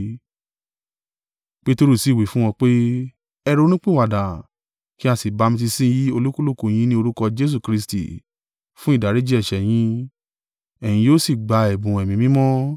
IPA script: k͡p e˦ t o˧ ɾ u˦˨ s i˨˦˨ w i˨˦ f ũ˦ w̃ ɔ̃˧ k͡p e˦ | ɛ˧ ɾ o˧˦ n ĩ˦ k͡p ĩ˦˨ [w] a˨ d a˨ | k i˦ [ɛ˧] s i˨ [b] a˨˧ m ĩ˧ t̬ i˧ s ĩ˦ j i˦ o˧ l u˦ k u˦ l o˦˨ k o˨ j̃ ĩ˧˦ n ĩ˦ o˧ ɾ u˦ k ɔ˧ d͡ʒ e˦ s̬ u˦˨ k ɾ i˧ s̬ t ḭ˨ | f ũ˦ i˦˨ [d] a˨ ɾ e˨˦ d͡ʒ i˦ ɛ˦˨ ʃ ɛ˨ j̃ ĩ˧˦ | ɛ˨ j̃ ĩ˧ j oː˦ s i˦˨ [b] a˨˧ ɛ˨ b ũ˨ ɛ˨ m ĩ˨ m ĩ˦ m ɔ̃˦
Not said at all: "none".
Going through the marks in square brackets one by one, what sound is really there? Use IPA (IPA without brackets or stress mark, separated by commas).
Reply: w, a˧, b, d, ɡ͡b